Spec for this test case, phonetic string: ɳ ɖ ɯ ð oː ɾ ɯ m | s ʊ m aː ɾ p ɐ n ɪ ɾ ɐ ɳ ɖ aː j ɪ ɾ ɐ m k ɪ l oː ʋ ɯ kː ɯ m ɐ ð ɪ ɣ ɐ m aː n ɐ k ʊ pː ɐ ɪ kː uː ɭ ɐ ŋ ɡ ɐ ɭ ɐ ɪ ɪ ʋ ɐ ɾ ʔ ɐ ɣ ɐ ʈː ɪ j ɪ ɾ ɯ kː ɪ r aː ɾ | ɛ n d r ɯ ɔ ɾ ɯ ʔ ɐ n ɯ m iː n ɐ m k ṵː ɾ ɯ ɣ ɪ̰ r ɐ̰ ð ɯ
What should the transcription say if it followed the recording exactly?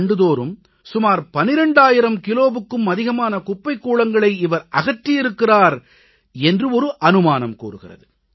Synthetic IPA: ɳ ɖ ɯ ð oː ɾ ɯ m | s ʊ m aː ɾ p ɐ n ɪ ɾ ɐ ɳ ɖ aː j ɪ ɾ ɐ m k ɪ l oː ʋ ɯ kː ɯ m ɐ ð ɪ ɣ ɐ m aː n ɐ k ʊ pː ɐ ɪ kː uː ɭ ɐ ŋ ɡ ɐ ɭ ɐ ɪ ɪ ʋ ɐ ɾ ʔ ɐ ɣ ɐ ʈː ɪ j ɪ ɾ ɯ kː ɪ r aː ɾ | ɛ n d r ɯ ɔ ɾ ɯ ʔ ɐ n ɯ m aː n ɐ m k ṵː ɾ ɯ ɣ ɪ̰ r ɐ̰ ð ɯ